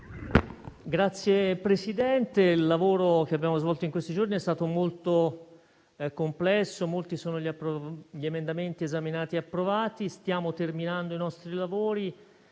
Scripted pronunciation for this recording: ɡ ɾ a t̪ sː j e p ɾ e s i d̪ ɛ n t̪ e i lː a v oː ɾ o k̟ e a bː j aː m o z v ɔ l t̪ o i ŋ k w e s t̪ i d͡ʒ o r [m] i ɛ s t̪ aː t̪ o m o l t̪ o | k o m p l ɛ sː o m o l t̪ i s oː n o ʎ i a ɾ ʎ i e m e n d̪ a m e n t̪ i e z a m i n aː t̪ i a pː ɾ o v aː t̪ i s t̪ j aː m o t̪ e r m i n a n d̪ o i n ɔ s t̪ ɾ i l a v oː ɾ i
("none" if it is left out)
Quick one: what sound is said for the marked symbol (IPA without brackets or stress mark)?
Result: n